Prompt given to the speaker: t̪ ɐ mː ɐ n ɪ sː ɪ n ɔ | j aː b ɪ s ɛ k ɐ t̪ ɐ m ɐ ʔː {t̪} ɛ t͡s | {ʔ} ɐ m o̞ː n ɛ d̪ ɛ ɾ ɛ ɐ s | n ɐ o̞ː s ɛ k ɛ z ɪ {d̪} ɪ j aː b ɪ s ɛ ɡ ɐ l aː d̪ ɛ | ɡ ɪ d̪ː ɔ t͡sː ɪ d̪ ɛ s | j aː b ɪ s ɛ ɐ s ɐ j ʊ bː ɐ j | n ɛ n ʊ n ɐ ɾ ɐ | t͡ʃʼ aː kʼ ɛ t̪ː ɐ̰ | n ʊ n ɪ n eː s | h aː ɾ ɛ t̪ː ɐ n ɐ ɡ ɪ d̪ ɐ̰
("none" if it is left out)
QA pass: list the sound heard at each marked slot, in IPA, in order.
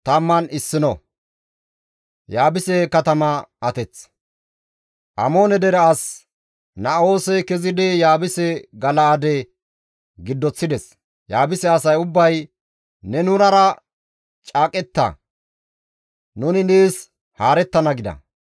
t̪, ʔ, d̪

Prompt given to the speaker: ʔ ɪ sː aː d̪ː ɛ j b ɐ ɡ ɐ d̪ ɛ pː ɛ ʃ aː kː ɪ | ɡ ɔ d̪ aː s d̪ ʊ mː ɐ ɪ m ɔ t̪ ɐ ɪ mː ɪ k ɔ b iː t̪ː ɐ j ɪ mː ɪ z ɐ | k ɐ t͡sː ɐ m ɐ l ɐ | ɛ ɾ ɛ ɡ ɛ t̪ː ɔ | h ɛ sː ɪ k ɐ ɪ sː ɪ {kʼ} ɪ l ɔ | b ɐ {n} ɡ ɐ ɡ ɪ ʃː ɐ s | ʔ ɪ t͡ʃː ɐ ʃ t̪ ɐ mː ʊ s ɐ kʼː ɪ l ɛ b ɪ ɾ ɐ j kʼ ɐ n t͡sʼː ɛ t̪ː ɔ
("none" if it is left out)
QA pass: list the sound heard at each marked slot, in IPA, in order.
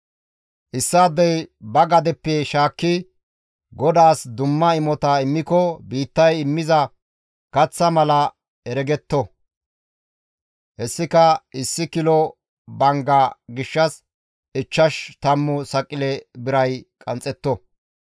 k, ŋ

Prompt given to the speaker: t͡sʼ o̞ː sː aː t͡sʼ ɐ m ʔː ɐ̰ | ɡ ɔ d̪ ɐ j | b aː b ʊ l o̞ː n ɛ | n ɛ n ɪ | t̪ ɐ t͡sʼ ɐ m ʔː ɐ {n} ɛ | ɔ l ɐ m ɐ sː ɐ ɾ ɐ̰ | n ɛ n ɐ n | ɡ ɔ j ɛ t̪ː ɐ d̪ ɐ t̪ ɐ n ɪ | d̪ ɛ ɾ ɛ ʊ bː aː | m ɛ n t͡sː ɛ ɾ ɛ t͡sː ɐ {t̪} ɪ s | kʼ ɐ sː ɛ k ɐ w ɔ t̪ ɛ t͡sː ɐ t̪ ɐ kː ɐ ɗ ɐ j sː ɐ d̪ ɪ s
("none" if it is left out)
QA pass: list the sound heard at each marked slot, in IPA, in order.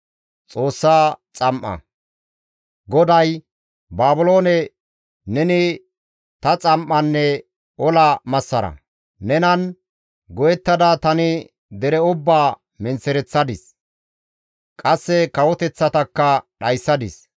nː, d̪

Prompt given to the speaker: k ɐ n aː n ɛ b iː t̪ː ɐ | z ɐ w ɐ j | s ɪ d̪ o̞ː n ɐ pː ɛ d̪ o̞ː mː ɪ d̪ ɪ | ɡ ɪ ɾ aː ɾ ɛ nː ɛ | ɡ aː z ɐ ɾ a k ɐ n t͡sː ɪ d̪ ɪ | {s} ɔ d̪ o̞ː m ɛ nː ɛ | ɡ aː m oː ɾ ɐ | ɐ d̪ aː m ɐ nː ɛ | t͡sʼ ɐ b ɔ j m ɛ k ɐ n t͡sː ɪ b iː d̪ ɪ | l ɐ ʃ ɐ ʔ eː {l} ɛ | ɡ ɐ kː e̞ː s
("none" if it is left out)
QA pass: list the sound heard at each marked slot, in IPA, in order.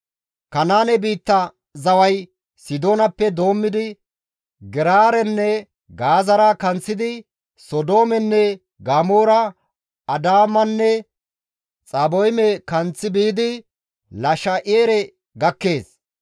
s, ɾ

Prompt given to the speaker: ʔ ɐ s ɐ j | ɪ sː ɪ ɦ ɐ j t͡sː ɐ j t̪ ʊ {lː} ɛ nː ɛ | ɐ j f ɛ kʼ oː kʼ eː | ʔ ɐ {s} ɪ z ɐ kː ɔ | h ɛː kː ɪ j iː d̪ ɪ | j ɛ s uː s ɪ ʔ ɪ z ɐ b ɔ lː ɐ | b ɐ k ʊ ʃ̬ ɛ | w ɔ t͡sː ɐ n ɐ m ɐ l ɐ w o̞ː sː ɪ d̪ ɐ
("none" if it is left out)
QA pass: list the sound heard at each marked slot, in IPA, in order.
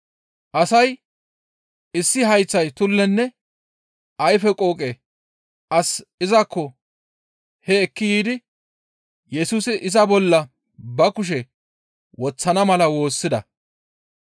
lː, s

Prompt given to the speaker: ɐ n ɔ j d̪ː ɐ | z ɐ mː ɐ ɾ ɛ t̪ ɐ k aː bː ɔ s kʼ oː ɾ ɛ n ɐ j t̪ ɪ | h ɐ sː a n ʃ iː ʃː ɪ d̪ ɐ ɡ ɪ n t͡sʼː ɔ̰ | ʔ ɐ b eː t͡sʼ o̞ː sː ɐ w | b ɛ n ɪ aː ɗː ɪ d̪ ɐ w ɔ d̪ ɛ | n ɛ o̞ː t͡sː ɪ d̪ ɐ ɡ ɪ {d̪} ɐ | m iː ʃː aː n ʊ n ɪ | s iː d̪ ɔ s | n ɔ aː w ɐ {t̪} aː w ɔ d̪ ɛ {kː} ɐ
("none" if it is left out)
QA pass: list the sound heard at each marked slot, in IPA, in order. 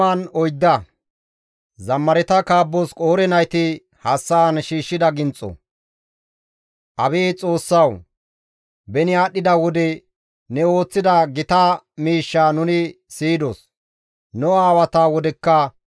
t̪, t̪, kː

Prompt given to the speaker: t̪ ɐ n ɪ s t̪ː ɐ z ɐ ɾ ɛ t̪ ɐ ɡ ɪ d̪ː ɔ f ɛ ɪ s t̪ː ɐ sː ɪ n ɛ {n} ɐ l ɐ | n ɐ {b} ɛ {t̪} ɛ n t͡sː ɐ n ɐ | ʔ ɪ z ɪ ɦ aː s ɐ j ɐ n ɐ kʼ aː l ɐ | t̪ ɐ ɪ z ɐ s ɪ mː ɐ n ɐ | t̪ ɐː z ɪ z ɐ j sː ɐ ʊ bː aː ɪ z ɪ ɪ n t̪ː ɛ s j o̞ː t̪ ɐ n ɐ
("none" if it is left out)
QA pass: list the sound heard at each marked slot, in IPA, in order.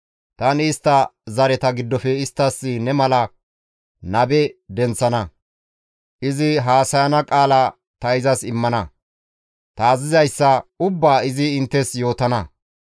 m, b, d̪

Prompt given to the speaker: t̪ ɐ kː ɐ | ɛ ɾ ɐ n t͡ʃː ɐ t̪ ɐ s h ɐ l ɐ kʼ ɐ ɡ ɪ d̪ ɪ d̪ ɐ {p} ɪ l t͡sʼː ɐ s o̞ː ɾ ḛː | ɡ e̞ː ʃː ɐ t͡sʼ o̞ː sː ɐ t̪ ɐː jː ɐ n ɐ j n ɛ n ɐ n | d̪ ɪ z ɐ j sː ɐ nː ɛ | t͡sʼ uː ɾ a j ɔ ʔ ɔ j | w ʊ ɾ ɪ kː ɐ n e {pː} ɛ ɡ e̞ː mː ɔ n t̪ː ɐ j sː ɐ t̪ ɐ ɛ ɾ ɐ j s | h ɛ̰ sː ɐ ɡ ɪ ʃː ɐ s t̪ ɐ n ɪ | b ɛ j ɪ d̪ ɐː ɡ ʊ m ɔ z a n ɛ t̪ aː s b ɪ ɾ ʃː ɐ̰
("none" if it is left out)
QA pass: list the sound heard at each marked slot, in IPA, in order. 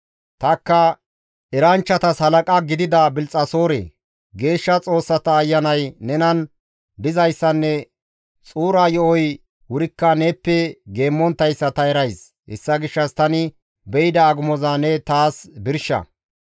b, pː

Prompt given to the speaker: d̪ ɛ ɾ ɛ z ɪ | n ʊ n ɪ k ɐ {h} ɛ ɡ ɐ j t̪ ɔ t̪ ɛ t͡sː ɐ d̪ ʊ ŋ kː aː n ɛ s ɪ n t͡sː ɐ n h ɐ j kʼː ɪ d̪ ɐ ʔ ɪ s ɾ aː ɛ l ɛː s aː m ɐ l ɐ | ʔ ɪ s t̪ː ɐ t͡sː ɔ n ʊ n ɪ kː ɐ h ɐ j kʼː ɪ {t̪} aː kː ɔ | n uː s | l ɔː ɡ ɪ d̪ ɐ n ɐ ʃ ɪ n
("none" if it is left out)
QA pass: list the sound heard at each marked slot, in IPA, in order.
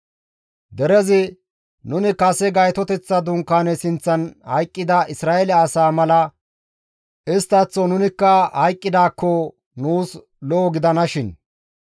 s, d̪

